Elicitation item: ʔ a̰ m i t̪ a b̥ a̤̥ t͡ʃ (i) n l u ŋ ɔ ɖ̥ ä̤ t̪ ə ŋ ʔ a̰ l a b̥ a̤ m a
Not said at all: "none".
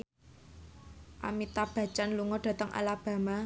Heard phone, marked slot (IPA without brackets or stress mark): a